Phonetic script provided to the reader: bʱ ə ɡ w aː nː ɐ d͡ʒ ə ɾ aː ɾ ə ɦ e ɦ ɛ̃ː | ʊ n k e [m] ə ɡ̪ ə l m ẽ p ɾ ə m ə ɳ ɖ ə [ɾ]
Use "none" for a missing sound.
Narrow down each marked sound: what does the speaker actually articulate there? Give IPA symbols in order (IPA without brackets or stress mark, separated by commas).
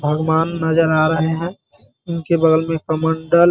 b, l